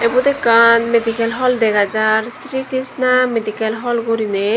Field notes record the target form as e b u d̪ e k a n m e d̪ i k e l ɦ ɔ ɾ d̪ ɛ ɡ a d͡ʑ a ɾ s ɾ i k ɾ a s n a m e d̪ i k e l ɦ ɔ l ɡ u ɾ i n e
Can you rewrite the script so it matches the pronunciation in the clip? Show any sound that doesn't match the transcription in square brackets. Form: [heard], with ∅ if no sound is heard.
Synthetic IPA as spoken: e b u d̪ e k a n m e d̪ i k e l ɦ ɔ [l] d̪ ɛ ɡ a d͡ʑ a ɾ s ɾ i k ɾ [i] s n a m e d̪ i k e l ɦ ɔ l ɡ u ɾ i n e